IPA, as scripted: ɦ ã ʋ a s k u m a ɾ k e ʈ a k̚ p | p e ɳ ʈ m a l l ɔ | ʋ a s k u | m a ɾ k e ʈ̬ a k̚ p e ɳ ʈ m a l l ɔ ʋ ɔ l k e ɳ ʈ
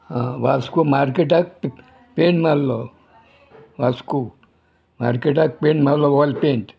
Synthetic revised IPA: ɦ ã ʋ a s k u m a ɾ k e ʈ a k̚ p | p e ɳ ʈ m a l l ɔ | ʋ a s k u | m a ɾ k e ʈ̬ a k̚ p e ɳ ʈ m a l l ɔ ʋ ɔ l p e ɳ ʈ